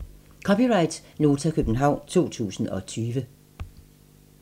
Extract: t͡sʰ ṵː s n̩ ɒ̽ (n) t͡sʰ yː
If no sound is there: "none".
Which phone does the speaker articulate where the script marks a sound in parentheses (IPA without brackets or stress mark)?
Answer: none